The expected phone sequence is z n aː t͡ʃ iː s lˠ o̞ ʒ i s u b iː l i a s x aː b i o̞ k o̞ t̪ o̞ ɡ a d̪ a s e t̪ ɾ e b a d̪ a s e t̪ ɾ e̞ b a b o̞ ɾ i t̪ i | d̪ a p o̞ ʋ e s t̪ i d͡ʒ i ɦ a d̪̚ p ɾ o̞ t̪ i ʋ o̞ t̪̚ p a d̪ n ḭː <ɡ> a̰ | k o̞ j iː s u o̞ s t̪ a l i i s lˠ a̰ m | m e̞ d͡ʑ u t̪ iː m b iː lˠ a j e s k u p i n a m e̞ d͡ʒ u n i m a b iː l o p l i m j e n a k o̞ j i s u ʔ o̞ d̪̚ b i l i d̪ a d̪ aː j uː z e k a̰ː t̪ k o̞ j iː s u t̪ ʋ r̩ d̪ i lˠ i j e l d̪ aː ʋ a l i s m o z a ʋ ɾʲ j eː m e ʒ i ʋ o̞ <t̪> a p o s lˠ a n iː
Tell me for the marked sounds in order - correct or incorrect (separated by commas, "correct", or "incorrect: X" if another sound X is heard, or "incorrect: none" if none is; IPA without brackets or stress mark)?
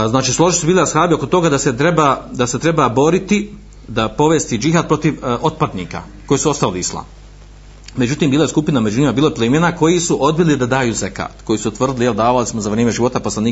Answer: incorrect: k, correct